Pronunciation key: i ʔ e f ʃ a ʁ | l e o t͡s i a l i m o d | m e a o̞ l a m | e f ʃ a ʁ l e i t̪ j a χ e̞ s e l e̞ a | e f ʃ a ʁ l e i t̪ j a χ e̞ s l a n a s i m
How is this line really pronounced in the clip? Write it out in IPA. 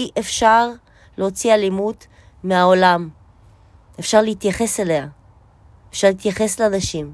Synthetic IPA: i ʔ e f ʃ a ʁ | l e o t͡s i a l i m u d | m e a o̞ l a m | e f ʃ a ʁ l e i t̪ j a χ e̞ s e l e̞ a | e f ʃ a ʁ l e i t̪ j a χ e̞ s l a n a ʃ i m